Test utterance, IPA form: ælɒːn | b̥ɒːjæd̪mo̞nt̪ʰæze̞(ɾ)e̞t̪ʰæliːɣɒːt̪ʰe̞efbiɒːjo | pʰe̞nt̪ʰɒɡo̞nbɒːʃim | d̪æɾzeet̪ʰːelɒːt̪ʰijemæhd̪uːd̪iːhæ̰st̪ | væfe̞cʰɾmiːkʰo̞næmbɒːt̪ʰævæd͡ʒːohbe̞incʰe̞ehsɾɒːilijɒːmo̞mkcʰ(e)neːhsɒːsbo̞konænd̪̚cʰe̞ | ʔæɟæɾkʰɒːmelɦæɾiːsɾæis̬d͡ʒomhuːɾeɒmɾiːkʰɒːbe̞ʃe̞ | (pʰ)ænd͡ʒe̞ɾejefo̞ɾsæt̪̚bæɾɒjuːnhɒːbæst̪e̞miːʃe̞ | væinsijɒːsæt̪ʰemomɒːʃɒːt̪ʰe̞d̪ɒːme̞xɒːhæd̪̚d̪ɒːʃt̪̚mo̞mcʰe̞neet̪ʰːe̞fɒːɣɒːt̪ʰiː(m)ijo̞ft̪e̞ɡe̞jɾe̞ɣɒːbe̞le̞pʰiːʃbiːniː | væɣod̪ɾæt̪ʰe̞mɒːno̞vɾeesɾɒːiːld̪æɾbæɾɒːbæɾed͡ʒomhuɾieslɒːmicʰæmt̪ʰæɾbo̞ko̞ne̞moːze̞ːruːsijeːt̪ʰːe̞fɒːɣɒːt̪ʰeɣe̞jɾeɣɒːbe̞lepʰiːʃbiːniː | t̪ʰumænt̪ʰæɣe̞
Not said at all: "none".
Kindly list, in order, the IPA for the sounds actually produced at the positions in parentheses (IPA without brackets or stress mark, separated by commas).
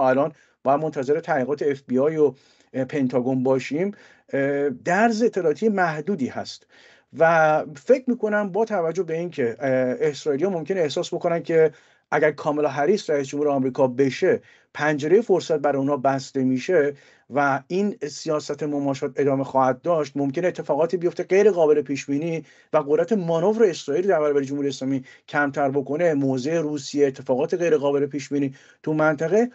ɾ, e, pʰ, b